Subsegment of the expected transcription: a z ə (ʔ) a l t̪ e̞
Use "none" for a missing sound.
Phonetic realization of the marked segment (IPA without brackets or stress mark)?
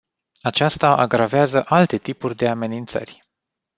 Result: ʔ